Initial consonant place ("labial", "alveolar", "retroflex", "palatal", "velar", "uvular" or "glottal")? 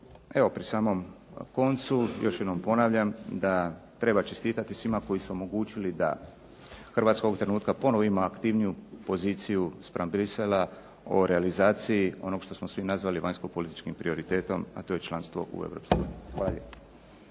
labial